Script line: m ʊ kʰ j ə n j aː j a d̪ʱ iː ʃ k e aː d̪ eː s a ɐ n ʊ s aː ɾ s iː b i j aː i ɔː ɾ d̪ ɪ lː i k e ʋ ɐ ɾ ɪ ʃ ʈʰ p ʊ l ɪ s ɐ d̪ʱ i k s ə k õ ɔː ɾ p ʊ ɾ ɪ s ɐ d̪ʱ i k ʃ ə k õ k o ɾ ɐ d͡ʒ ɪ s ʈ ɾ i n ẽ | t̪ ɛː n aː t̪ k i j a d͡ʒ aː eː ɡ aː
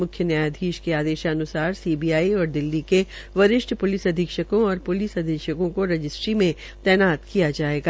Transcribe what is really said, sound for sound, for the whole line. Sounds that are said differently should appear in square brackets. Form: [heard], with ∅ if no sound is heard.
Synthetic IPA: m ʊ kʰ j ə n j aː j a d̪ʱ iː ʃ k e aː d̪ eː [ʃ] a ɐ n ʊ s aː ɾ s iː b i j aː i ɔː ɾ d̪ ɪ lː i k e ʋ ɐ ɾ ɪ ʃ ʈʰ p ʊ l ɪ s ɐ d̪ʱ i k [ʃ] ə k õ ɔː ɾ p ʊ [l] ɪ s ɐ d̪ʱ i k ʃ ə k õ k o ɾ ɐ d͡ʒ ɪ s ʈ ɾ i [m] ẽ | t̪ ɛː n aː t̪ k i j a d͡ʒ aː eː ɡ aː